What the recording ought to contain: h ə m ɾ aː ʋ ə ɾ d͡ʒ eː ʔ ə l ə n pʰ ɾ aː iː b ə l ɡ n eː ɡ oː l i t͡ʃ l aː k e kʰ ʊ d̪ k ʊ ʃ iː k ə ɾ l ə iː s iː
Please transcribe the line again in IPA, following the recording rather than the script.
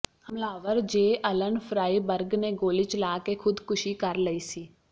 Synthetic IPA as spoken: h ə m l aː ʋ ə ɾ d͡ʒ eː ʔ ə l ə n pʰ ɾ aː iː b ə ɾ ɡ n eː ɡ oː l i t͡ʃ l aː k e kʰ ʊ d̪ k ʊ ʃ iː k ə ɾ l ə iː s iː